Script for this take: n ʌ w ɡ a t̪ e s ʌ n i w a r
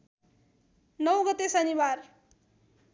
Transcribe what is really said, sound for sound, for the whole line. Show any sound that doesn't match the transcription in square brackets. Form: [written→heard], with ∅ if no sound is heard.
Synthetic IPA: n ʌ w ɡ [a→ʌ] t̪ e s ʌ n i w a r